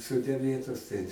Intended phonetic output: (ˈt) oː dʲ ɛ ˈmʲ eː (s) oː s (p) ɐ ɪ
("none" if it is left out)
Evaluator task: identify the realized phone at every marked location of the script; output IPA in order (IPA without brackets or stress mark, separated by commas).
s, t, t